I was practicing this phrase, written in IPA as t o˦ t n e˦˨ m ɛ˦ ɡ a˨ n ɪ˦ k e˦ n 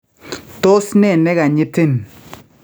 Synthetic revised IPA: t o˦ s n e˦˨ n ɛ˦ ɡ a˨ ɲ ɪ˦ t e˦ n